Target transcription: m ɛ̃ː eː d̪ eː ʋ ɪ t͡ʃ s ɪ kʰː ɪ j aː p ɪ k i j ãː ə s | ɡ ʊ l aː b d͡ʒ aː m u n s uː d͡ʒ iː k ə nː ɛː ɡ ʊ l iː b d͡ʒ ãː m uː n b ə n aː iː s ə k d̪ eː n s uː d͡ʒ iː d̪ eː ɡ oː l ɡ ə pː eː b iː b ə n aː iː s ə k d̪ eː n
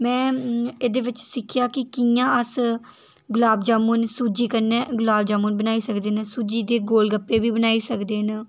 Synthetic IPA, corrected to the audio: m ɛ̃ː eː d̪ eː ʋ ɪ t͡ʃ s ɪ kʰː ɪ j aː k ɪ k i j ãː ə s | ɡ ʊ l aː b d͡ʒ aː m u n s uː d͡ʒ iː k ə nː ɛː ɡ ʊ l aː b d͡ʒ aː m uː n b ə n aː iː s ə k d̪ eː n s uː d͡ʒ iː d̪ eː ɡ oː l ɡ ə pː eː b iː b ə n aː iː s ə k d̪ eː n

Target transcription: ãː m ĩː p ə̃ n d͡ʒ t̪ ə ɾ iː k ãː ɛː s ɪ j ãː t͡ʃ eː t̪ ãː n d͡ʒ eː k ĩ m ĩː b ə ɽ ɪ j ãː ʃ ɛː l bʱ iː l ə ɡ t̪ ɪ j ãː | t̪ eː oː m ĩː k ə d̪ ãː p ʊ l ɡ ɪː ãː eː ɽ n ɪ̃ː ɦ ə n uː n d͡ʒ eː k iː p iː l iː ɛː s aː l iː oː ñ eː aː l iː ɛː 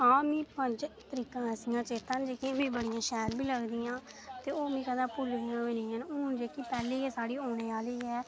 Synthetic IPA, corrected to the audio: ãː m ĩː p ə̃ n d͡ʒ t̪ ə ɾ iː k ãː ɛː s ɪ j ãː t͡ʃ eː t̪ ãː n d͡ʒ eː k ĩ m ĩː b ə ɽ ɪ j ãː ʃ ɛː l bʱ iː l ə ɡ d̪ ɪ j ãː | t̪ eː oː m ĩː k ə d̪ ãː p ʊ l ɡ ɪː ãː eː n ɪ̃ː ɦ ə n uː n d͡ʒ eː k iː p ɛː l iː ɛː s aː ɽ iː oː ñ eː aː l iː ɛː

